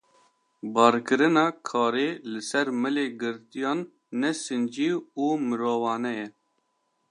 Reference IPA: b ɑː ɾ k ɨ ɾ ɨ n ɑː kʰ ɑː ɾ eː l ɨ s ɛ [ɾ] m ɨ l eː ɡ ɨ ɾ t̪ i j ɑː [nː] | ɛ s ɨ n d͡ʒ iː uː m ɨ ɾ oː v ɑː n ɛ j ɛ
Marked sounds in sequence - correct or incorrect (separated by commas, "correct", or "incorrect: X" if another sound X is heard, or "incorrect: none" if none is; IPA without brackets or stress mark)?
correct, correct